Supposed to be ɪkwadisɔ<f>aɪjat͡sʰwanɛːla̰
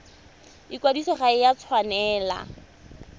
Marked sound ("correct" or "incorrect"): incorrect